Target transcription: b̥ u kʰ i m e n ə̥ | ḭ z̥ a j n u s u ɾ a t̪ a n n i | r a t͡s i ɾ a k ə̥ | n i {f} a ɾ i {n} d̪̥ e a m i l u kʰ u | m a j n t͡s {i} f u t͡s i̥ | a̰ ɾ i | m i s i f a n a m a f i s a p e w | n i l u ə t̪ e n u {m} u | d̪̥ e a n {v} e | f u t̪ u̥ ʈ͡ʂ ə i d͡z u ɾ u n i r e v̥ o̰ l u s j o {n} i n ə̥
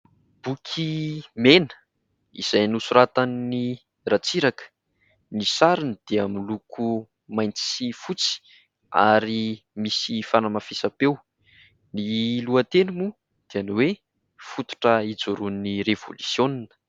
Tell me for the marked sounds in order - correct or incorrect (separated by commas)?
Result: incorrect, correct, correct, correct, incorrect, correct